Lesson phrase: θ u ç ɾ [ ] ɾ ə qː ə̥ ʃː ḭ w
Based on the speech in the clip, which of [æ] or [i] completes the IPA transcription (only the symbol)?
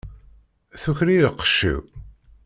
i